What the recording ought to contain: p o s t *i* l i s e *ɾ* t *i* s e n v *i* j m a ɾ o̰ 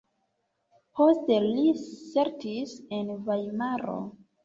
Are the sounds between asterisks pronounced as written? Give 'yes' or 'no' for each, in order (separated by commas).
no, yes, yes, no